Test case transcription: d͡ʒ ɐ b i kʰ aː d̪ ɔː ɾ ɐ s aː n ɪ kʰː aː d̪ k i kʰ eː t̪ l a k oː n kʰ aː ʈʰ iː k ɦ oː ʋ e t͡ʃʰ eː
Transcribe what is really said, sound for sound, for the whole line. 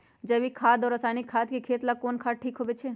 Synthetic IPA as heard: d͡ʒ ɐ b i kʰ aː d̪ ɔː ɾ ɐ s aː n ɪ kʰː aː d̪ k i kʰ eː t̪ l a k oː n kʰ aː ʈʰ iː k ɦ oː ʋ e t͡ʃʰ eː